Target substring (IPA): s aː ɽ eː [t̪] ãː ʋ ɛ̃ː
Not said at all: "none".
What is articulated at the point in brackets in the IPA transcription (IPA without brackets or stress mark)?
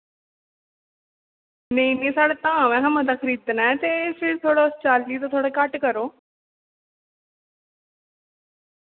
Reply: t̪